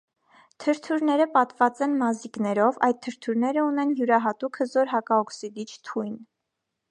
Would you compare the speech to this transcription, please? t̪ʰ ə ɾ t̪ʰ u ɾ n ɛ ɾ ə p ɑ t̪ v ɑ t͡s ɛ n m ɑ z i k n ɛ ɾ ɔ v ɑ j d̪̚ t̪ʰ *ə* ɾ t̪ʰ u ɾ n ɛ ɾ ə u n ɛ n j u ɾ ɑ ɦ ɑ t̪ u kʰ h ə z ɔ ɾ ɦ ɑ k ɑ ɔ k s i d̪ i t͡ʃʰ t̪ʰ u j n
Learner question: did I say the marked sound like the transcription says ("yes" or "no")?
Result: yes